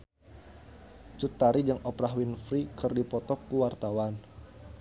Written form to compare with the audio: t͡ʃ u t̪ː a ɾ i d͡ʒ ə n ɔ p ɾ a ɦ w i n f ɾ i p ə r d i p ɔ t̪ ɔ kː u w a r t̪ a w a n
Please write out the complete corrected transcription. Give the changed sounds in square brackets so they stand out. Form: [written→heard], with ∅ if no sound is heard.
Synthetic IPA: t͡ʃ u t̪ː a ɾ i d͡ʒ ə [n→ŋ] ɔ p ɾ a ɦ w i n f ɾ i [p→k] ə r d i p ɔ t̪ ɔ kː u w a r t̪ a w a n